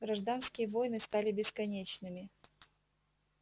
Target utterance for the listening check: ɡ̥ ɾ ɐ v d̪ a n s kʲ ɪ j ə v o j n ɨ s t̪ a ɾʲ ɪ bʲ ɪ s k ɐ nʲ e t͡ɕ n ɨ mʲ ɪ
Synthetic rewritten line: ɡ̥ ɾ ɐ ʐ d̪ a n s kʲ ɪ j ə v o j n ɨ s t̪ a lʲ ɪ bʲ ɪ s k ɐ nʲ e t͡ɕ n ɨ mʲ ɪ